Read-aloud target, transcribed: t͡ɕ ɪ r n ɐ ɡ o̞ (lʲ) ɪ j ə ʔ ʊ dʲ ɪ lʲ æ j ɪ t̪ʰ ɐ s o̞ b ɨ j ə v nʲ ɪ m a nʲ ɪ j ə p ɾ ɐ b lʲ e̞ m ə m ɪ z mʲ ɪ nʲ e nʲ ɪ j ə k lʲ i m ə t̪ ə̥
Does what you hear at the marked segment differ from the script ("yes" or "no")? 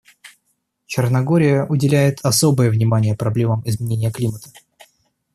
yes